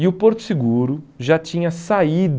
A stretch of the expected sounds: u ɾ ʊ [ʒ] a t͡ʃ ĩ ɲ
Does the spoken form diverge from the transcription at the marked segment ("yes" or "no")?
no